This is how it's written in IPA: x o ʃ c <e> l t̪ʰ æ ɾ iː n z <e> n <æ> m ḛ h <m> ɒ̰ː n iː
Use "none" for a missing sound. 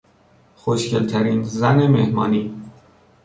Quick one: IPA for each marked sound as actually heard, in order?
e, æ, e, m

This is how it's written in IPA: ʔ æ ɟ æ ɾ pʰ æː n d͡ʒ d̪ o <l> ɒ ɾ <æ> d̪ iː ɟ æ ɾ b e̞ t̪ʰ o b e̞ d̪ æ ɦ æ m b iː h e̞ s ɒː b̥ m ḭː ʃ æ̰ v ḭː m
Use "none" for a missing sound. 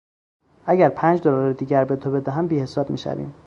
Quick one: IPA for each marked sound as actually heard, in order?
l, e

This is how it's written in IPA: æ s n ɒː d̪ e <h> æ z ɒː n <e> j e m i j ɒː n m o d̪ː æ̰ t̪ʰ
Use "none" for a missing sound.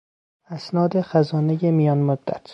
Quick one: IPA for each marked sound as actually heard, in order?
x, e

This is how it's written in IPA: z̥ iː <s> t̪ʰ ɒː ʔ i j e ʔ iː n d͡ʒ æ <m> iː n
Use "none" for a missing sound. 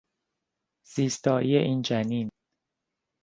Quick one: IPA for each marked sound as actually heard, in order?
s, n

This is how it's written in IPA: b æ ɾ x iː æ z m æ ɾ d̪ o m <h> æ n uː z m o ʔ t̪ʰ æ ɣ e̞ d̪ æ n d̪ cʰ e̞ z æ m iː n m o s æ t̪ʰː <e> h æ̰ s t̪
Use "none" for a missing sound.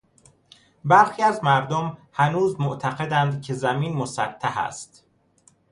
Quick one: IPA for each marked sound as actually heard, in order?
h, æ

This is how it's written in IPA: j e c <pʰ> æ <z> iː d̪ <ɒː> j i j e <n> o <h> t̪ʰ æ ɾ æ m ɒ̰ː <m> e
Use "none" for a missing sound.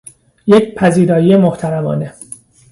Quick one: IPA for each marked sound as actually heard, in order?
pʰ, z, ɒː, m, h, n

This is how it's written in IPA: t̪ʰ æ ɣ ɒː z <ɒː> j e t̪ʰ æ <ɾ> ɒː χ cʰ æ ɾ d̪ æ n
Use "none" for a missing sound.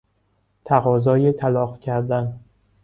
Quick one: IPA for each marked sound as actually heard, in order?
ɒː, l

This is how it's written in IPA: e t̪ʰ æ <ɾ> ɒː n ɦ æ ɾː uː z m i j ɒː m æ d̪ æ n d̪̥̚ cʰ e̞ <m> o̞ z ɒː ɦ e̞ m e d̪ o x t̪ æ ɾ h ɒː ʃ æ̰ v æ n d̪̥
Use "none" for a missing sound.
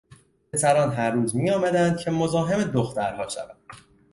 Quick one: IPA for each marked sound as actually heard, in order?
ɾ, m

